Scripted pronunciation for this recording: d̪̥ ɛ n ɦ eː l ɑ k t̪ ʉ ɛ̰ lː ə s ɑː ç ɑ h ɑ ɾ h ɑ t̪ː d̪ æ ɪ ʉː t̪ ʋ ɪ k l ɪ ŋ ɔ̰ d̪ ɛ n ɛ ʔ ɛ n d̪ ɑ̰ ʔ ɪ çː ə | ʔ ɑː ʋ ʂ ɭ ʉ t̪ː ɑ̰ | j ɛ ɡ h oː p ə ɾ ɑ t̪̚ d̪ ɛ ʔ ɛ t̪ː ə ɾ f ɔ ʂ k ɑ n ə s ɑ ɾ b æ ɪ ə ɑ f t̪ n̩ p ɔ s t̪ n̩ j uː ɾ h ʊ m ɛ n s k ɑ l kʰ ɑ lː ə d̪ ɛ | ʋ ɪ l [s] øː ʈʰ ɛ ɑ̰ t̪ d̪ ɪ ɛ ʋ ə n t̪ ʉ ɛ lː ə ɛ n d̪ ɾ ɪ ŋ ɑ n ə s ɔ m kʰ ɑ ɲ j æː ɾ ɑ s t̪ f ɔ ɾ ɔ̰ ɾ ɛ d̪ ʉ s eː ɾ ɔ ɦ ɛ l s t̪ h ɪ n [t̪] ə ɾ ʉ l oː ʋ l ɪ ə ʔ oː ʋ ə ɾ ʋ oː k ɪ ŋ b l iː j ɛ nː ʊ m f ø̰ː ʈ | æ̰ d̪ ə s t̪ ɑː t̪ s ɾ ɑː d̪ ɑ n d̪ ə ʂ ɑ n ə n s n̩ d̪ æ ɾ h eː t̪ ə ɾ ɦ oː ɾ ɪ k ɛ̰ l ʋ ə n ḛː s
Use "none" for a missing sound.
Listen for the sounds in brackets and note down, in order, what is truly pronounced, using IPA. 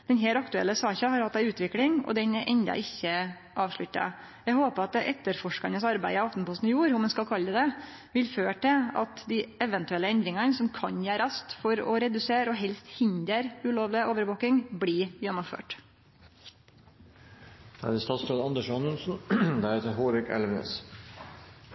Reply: f, d̪

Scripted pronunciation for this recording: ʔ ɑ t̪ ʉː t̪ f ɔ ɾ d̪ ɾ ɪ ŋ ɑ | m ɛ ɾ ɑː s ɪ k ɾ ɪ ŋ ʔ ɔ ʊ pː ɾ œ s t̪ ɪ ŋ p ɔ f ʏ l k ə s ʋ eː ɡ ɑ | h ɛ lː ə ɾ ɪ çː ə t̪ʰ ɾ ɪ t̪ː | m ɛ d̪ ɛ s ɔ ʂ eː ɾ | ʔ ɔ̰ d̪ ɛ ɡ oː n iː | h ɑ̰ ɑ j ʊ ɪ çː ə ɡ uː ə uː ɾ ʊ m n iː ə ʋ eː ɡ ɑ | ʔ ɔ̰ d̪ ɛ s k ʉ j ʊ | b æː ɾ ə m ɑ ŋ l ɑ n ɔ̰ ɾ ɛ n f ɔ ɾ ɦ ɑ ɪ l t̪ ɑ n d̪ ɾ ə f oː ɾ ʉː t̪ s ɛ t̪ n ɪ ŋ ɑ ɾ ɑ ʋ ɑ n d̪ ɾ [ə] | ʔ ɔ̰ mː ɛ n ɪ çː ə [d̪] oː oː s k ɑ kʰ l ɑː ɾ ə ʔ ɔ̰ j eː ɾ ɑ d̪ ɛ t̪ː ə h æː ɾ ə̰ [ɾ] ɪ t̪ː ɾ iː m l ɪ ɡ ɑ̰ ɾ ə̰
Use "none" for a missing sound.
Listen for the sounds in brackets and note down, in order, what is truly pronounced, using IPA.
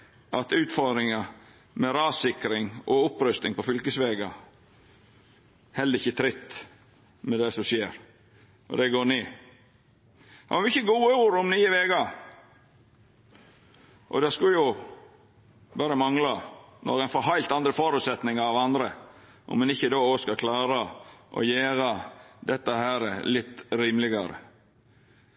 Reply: ə, d̪, l

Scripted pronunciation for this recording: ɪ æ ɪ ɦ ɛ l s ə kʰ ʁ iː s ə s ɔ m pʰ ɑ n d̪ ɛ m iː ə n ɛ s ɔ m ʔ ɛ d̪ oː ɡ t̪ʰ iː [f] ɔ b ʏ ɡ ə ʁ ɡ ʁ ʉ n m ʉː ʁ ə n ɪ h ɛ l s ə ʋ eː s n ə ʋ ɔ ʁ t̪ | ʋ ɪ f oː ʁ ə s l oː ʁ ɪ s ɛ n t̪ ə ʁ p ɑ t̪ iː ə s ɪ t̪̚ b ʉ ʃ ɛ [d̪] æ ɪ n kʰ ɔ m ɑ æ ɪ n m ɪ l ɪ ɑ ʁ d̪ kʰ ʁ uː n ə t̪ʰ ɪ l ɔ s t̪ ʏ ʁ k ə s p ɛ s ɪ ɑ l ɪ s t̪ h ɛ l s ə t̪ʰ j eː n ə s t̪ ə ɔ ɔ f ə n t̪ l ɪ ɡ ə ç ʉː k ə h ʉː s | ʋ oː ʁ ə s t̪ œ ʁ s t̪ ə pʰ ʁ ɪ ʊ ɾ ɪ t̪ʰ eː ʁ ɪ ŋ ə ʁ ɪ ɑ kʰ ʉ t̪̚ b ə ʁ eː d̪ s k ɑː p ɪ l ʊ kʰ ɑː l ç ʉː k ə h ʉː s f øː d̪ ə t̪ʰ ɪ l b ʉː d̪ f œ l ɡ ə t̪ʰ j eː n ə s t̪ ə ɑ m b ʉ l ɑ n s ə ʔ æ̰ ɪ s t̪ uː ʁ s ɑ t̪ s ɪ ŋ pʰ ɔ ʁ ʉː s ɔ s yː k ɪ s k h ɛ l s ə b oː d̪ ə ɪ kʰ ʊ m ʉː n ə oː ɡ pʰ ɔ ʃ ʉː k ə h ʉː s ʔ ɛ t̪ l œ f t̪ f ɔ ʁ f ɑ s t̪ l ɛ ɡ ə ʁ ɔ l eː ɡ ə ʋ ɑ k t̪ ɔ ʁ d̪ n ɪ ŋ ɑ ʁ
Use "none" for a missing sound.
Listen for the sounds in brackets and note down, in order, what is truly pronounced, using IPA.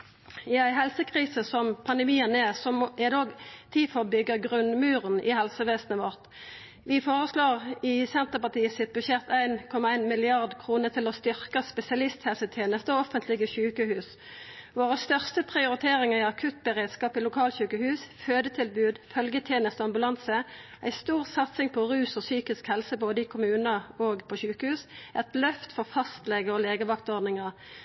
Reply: f, t̪

